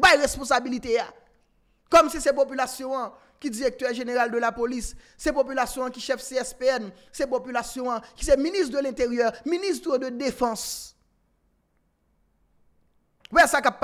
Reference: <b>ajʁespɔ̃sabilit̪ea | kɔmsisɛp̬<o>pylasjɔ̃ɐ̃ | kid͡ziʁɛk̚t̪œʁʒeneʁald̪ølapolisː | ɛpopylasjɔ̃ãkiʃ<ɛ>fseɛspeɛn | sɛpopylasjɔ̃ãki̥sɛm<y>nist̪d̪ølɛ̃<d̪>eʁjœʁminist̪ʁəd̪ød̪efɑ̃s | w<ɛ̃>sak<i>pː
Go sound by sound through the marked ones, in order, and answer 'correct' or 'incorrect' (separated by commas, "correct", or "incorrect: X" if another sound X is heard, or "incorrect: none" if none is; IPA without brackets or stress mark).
correct, correct, correct, incorrect: i, incorrect: t̪, incorrect: ɛ, incorrect: a